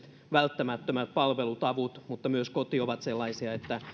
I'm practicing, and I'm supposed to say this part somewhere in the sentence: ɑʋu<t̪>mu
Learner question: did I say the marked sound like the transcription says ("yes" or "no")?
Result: yes